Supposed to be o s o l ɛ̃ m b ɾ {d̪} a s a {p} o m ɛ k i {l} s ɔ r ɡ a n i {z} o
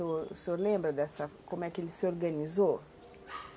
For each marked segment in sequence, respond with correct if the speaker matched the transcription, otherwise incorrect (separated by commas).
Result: correct, incorrect, correct, correct